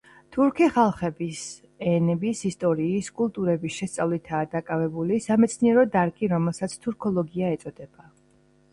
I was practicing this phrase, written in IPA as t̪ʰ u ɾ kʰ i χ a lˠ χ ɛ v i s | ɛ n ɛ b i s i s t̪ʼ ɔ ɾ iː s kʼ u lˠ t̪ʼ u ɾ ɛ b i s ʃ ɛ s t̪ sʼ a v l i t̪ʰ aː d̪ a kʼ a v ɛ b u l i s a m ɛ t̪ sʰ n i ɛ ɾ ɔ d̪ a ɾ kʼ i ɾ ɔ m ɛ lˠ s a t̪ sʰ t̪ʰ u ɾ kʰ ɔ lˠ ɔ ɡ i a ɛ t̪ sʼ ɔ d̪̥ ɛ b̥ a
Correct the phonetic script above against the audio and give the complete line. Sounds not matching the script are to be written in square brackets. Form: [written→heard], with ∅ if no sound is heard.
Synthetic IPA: t̪ʰ u ɾ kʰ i χ a lˠ χ ɛ [v→b] i s | ɛ n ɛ b i s i s t̪ʼ ɔ ɾ iː s kʼ u lˠ t̪ʼ u ɾ ɛ b i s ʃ ɛ s t̪ sʼ a v l i t̪ʰ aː d̪ a kʼ a v ɛ b u l i s a m ɛ t̪ sʰ n i ɛ ɾ ɔ d̪ a ɾ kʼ i ɾ ɔ m ɛ lˠ s a t̪ sʰ t̪ʰ u ɾ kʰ ɔ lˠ ɔ ɡ i a ɛ t̪ sʼ ɔ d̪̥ ɛ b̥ a